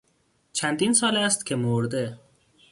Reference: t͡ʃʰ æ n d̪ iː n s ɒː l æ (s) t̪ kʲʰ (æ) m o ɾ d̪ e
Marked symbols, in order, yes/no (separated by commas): yes, no